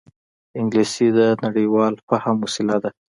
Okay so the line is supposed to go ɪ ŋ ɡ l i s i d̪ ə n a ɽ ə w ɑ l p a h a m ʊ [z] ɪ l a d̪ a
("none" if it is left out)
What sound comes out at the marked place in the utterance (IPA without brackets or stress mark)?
s